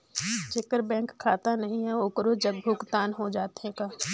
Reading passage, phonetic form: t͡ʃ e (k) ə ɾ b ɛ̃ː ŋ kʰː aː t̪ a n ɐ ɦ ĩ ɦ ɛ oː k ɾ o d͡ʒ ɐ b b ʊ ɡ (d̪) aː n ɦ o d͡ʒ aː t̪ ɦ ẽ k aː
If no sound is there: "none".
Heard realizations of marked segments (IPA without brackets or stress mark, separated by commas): k, t̪